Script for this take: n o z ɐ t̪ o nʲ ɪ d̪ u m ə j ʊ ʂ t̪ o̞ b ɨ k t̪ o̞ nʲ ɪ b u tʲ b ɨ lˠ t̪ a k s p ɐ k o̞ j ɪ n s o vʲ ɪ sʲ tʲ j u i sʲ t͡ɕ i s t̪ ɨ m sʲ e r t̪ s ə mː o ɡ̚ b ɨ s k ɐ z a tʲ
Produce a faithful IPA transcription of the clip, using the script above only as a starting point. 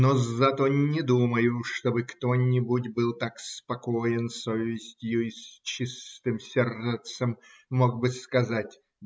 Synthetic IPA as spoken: n o z ɐ t̪ o nʲ ɪ d̪ u m ə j ʊ ʂ t̪ o̞ b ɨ k t̪ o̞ nʲ ɪ b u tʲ b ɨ lˠ t̪ a k s p ɐ k o̞ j ɪ n s o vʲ ɪ sʲ tʲ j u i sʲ t͡ɕ i s t̪ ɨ m sʲ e r t̪ s ə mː o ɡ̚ b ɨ s k ɐ z a tʲ